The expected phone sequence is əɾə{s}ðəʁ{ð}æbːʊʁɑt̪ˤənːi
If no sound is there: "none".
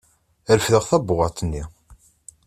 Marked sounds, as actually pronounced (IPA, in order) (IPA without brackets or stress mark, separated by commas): f, θ